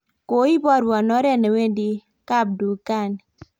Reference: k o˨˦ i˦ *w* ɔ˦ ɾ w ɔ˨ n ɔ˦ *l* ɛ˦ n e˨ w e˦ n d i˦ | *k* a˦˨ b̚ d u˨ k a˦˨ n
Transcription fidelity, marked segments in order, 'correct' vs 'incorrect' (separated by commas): incorrect, incorrect, correct